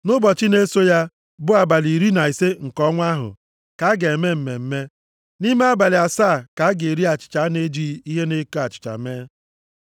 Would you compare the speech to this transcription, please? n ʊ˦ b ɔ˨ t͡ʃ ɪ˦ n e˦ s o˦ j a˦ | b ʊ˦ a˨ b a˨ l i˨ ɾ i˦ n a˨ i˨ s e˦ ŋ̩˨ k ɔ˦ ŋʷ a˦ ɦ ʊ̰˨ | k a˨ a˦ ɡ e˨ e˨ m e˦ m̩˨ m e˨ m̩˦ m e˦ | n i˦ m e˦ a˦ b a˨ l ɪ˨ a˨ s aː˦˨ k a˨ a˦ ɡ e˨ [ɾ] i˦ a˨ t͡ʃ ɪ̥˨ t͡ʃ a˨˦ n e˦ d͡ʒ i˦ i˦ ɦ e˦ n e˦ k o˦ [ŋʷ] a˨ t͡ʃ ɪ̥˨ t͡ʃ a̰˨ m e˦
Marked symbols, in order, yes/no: yes, no

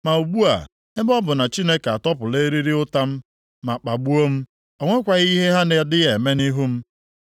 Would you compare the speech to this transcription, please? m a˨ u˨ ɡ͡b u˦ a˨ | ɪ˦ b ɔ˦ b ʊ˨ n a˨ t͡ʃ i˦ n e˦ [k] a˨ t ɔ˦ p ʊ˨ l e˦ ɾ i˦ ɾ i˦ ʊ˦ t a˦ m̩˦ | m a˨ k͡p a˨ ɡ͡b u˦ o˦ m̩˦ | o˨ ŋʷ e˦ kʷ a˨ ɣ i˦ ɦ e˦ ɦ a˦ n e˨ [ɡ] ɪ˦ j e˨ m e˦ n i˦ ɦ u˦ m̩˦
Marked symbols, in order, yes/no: yes, no

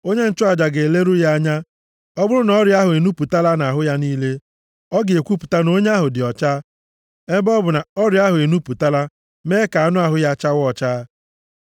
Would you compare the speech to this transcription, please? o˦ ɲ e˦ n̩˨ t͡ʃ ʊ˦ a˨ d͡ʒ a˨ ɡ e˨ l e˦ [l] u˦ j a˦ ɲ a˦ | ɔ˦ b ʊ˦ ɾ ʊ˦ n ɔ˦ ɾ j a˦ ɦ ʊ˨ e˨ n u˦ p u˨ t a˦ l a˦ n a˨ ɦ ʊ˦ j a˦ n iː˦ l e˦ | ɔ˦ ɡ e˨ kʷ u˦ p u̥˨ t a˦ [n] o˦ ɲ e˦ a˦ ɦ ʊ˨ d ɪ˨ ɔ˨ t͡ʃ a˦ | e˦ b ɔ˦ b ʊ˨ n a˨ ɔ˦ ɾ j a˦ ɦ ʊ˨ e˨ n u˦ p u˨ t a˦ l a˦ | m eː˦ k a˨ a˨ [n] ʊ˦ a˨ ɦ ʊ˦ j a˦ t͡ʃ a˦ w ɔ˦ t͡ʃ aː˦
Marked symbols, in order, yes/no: no, yes, yes

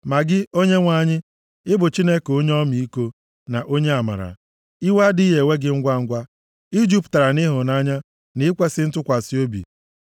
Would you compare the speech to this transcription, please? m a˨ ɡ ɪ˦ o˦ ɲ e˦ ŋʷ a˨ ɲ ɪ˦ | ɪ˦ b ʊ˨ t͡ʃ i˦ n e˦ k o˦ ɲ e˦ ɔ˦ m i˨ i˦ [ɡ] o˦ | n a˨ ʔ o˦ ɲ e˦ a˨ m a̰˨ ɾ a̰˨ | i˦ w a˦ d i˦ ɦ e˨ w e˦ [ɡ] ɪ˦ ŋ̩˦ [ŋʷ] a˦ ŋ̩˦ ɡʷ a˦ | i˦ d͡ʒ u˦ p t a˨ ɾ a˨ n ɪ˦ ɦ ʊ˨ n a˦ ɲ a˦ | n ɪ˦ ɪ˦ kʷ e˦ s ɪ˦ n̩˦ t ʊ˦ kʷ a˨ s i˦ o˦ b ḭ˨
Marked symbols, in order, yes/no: no, yes, no

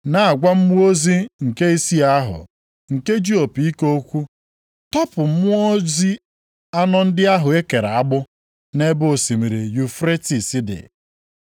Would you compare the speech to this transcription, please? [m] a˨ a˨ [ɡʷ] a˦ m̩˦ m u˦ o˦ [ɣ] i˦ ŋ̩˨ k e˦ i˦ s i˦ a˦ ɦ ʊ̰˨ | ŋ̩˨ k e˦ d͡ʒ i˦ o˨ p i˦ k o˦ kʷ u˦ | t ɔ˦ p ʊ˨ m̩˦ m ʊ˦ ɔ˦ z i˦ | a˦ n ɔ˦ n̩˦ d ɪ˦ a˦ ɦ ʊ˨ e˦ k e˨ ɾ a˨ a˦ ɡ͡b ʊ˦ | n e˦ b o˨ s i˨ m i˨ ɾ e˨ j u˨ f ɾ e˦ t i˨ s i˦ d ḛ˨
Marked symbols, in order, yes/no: no, yes, no

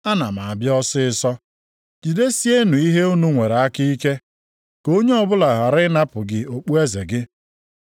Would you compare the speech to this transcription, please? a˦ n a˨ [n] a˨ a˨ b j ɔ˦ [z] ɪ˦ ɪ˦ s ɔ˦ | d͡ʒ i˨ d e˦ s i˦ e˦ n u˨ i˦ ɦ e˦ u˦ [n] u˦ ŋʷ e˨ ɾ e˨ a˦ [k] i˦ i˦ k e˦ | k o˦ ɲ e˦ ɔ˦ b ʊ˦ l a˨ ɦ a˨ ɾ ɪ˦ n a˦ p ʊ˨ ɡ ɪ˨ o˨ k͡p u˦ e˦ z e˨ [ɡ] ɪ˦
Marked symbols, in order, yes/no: no, no, yes, yes, yes

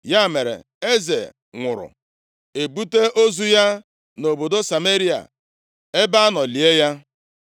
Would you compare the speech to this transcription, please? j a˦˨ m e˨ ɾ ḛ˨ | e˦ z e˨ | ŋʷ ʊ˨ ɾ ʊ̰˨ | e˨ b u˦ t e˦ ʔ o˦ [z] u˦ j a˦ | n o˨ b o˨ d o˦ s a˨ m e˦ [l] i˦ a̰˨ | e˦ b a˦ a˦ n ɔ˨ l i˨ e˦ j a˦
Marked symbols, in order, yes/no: yes, no

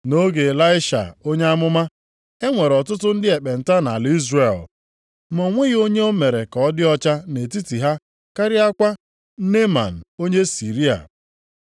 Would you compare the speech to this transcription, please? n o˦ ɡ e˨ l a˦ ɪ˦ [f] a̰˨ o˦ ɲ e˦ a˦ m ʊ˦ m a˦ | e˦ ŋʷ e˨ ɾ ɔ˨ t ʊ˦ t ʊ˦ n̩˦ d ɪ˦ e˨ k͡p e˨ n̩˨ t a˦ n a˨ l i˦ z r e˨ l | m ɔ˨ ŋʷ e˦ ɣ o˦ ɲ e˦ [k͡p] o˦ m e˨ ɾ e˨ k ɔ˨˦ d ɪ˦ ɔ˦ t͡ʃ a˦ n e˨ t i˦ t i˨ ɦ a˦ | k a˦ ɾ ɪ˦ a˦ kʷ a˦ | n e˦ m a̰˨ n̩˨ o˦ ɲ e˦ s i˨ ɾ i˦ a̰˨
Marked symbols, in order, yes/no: no, no

